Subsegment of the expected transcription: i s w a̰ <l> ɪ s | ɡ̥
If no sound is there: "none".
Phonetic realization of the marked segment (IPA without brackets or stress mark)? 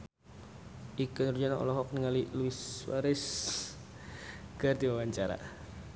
ɾ